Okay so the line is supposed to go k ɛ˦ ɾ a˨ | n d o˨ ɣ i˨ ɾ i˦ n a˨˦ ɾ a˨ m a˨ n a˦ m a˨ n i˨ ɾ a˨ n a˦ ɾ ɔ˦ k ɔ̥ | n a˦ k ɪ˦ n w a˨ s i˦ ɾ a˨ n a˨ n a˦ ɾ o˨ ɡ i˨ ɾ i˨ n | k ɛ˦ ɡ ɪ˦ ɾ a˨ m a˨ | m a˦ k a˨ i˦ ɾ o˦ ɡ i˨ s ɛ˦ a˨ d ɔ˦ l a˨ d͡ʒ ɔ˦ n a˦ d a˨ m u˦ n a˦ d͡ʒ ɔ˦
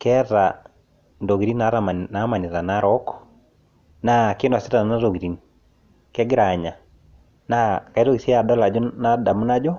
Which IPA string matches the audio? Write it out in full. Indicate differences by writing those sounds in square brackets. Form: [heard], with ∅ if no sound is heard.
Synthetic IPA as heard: k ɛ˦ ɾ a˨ | n d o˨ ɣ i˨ ɾ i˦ n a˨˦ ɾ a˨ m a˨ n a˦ m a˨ n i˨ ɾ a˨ n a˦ ɾ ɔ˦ k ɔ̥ | n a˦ k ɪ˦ n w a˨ s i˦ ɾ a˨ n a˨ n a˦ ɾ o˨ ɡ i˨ ɾ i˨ n | k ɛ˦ ɡ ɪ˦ ɾ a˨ [ɲ] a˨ | [n] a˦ k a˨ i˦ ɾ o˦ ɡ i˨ s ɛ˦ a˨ d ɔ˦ l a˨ d͡ʒ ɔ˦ n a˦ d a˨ m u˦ n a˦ d͡ʒ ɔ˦